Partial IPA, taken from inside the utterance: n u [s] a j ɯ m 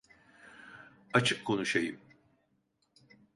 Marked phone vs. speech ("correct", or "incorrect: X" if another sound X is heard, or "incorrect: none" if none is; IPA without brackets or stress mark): incorrect: ʃ